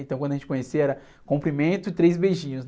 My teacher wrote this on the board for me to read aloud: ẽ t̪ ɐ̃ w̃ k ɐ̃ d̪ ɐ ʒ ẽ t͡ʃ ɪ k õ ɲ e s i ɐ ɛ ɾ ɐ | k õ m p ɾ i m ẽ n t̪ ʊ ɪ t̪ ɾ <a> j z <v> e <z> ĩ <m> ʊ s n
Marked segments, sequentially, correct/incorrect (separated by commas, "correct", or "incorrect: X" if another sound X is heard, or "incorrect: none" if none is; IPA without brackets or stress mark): incorrect: e, incorrect: b, incorrect: ʒ, incorrect: ɲ